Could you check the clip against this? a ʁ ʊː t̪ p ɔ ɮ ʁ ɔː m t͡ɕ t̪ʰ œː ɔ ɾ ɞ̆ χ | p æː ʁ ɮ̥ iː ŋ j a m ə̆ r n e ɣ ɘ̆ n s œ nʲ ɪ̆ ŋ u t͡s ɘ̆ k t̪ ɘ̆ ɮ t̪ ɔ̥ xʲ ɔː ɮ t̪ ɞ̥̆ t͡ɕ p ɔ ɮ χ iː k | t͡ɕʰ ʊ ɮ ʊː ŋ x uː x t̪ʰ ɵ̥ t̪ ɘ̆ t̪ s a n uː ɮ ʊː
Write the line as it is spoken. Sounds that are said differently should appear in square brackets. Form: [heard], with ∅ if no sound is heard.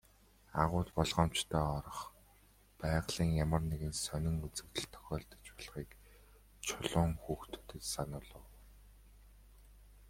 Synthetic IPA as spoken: a ʁ ʊː t̪ p ɔ ɮ ʁ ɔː m t͡ɕ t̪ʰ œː ɔ ɾ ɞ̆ χ | p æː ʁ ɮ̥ iː ŋ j a m ə̆ r n e ɣ ɘ̆ n s œ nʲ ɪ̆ ŋ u t͡s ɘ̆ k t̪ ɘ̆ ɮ [t̪ʰ] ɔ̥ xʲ ɔː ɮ t̪ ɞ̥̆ t͡ɕ p ɔ ɮ χ iː k | t͡ɕʰ ʊ ɮ ʊː ŋ x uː x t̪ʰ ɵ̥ t̪ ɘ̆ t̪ s a n [ʊː] ɮ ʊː